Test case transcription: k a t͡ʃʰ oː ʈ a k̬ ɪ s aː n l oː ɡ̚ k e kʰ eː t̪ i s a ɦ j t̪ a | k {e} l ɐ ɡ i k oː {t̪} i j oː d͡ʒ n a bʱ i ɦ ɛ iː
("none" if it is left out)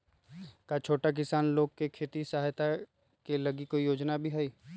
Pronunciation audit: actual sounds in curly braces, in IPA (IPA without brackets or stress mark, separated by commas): e, none